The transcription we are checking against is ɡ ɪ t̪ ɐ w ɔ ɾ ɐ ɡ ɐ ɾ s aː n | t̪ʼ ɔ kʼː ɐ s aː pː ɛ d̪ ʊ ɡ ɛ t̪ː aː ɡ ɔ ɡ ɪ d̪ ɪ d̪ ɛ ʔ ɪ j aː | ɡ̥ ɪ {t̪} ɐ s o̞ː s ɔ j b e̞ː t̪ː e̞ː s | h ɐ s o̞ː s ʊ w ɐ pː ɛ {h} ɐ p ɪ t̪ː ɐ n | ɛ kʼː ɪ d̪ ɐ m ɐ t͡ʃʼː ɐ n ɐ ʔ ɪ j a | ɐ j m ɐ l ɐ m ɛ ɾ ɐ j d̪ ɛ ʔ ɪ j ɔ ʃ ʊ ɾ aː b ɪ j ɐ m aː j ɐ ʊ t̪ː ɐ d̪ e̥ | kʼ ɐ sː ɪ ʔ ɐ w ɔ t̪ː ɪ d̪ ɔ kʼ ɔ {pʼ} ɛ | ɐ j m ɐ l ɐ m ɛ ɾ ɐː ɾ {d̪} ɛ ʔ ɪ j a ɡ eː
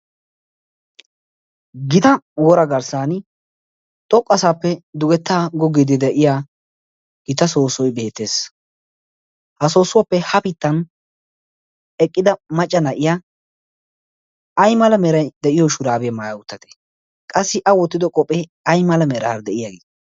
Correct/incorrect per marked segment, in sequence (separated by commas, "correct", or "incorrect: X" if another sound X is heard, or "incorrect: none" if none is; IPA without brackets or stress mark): correct, correct, correct, correct